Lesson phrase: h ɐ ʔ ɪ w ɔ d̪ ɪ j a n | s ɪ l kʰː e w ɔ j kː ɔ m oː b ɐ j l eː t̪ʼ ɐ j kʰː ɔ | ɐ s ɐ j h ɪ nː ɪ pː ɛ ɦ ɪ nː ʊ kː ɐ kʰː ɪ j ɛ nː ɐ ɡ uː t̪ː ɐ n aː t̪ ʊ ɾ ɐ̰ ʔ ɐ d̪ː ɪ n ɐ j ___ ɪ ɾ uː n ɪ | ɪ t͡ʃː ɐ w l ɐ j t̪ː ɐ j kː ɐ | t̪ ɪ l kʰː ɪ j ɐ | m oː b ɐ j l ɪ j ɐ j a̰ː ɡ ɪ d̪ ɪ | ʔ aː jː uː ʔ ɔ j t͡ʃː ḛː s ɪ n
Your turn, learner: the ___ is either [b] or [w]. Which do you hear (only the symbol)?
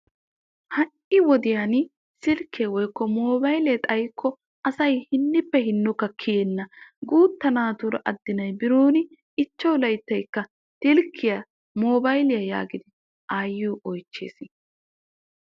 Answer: b